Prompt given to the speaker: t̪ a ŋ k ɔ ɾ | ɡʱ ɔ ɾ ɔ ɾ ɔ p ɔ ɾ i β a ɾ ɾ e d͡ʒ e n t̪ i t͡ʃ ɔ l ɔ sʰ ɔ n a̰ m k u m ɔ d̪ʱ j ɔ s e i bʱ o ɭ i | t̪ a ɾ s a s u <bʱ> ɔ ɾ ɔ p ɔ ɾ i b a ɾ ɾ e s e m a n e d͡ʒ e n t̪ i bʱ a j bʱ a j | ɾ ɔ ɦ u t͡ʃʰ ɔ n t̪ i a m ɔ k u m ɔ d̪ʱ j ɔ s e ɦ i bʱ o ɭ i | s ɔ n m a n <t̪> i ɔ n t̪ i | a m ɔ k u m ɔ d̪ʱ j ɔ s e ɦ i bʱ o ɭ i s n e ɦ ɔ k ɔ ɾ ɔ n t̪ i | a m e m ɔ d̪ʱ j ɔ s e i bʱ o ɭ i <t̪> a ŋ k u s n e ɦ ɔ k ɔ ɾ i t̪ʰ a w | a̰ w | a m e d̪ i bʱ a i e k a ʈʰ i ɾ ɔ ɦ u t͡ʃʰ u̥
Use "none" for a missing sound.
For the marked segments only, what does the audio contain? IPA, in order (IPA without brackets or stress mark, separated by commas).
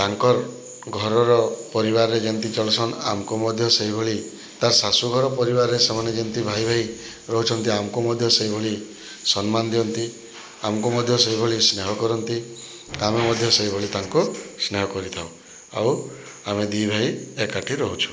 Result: ɡʱ, d̪, t̪